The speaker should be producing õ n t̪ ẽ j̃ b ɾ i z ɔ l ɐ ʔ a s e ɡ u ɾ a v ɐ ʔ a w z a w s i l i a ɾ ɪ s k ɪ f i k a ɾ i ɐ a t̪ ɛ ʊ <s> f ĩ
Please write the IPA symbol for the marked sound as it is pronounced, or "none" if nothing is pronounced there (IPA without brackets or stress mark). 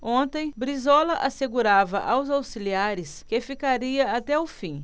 none